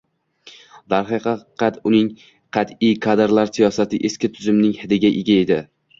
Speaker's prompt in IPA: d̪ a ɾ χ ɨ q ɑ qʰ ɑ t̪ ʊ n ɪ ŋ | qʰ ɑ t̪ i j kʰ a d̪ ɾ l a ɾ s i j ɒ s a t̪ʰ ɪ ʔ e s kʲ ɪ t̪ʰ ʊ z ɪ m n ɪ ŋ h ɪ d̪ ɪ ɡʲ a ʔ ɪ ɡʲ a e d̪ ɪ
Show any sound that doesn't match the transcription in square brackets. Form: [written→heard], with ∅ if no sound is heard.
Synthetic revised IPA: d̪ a ɾ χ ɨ q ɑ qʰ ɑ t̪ ʊ n ɪ ŋ | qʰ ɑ t̪ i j kʰ a d̪ ɾ l a ɾ s i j ɒ s a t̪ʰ ɪ ʔ e s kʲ ɪ t̪ʰ ʊ z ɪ m n ɪ ŋ h ɪ d̪ ɪ ɡʲ a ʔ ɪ ɡʲ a e d̪ ɪ